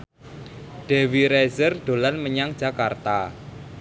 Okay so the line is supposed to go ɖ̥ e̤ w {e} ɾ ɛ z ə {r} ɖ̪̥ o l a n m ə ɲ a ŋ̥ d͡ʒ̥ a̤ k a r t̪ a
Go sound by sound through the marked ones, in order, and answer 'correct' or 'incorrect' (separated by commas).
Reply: incorrect, correct